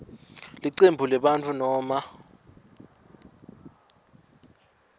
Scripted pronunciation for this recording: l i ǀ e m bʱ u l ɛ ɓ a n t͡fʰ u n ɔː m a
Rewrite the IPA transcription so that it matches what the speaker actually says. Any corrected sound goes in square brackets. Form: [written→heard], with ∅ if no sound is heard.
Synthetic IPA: l i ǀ e m bʱ u l ɛ ɓ a n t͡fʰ u n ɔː m a